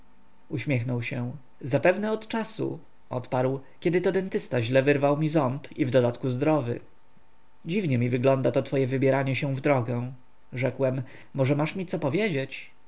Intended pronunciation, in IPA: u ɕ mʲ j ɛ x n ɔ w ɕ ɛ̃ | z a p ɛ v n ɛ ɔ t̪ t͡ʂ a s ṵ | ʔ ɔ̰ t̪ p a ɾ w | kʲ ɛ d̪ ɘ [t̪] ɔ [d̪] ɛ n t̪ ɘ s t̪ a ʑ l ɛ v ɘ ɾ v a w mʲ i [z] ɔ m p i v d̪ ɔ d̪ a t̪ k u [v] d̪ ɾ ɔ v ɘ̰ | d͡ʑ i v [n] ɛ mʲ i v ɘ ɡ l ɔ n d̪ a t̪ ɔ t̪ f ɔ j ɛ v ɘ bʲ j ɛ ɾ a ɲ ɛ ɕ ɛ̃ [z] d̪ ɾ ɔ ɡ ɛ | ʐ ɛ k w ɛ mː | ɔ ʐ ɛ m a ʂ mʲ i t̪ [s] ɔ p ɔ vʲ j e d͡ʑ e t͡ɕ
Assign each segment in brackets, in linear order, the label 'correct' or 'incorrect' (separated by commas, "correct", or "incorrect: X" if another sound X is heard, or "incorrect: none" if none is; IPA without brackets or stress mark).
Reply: correct, correct, correct, incorrect: z, incorrect: ɲ, incorrect: v, correct